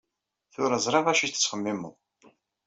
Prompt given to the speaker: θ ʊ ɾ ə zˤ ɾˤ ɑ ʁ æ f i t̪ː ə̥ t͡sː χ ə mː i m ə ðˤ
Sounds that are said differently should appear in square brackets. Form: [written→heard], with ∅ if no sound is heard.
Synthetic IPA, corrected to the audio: θ ʊ ɾ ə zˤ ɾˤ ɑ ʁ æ [f→ʃ] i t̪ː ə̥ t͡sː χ ə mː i m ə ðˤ